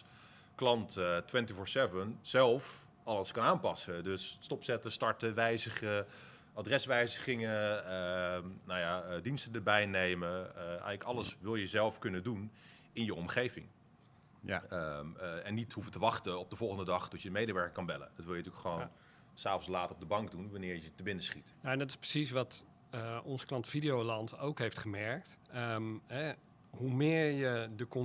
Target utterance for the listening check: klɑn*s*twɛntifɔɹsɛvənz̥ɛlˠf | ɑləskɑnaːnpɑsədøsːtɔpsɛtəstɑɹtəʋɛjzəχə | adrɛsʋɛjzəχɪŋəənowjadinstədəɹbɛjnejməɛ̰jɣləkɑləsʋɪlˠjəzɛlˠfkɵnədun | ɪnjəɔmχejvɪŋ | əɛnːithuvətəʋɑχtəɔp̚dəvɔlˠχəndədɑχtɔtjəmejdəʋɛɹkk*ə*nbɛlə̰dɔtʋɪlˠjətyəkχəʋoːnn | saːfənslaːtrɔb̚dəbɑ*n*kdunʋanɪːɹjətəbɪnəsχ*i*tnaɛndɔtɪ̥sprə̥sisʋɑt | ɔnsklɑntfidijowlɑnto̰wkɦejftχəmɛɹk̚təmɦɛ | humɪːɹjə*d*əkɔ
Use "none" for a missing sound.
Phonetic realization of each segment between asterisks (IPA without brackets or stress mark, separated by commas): t, ɑ, ŋ, i, d